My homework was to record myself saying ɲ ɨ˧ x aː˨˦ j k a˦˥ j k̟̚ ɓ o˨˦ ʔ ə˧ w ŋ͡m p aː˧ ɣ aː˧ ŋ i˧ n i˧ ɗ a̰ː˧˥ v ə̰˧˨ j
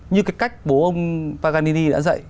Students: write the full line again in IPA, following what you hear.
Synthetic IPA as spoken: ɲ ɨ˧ k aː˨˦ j k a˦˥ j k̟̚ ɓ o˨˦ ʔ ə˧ w ŋ͡m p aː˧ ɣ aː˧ n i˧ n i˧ ɗ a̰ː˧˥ z ə̰˧˨ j